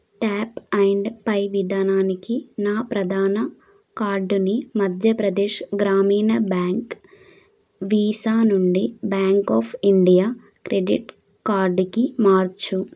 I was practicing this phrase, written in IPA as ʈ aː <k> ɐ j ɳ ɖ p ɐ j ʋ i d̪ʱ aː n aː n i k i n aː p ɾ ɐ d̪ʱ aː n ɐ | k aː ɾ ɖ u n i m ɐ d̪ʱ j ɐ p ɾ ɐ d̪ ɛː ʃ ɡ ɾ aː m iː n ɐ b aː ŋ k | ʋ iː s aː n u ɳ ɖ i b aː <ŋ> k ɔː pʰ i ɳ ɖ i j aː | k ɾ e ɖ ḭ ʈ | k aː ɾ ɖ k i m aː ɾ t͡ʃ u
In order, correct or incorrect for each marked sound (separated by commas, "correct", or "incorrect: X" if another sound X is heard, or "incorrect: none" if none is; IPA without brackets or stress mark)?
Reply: incorrect: p, correct